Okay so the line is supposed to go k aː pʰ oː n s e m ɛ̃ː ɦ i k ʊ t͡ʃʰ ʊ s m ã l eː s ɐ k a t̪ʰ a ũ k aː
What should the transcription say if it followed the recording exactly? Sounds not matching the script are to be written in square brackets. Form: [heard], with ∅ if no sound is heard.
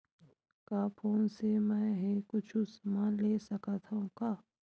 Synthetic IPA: k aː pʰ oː n s e m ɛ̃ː ɦ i k ʊ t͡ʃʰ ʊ s m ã l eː s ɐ k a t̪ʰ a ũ k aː